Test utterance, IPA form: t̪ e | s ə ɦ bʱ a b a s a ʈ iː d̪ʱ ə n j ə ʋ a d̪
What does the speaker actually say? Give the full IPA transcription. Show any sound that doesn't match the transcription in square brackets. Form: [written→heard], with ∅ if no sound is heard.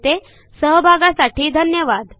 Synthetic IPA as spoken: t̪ e | s ə ɦ bʱ a [b→ɡ] a s a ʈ iː d̪ʱ ə n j ə ʋ a d̪